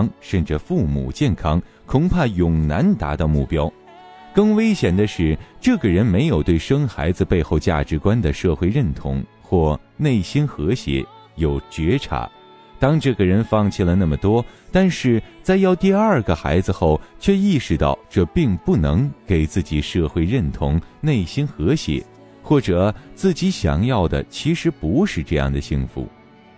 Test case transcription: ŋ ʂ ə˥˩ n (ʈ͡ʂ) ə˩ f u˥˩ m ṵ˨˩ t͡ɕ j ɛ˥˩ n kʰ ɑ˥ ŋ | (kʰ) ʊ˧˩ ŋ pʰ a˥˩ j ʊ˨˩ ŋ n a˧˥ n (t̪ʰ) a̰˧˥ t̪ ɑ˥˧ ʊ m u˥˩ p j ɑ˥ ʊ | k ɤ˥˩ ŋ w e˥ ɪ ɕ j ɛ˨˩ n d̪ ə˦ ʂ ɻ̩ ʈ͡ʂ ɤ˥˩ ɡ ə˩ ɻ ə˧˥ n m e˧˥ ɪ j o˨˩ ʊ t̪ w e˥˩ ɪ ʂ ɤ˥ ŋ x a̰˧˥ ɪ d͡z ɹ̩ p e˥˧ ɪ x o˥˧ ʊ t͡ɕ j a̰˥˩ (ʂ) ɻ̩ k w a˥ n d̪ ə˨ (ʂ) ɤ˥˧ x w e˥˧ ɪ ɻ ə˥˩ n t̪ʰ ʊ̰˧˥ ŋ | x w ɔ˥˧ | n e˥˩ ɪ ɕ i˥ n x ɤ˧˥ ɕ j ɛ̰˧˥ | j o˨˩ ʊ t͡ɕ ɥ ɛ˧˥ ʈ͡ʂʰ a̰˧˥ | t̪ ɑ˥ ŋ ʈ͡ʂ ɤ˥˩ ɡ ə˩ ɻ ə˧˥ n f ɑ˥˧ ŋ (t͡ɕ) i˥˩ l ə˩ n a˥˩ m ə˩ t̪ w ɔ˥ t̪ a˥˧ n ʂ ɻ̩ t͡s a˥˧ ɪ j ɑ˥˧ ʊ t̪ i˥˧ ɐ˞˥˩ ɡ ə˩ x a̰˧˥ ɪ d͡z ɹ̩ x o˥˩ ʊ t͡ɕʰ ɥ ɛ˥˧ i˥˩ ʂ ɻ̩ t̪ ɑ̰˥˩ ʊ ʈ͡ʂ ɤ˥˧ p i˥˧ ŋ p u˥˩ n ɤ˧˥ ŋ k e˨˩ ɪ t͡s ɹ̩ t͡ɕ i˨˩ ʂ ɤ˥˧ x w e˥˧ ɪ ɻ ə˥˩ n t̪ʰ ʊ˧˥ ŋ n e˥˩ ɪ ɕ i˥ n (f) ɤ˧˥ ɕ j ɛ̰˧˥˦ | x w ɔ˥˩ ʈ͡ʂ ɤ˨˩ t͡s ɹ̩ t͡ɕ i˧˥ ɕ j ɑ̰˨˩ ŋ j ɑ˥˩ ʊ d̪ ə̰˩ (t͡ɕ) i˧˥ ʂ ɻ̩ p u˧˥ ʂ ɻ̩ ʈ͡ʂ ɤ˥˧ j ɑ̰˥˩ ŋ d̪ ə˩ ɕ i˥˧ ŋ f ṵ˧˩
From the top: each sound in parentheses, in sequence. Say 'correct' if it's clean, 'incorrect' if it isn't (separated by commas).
correct, correct, incorrect, incorrect, correct, incorrect, incorrect, incorrect